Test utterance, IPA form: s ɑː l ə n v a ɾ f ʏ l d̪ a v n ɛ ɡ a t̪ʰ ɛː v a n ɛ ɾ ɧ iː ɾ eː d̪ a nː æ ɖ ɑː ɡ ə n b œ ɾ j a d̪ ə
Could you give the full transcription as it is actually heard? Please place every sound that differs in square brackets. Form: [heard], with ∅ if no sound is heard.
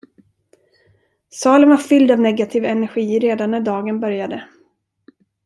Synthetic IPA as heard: s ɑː l ə n v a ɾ f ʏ l d̪ a v n ɛ ɡ a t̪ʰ [iː] v [ɛ] n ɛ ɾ ɧ iː ɾ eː d̪ a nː æ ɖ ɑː ɡ ə n b œ ɾ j a d̪ ə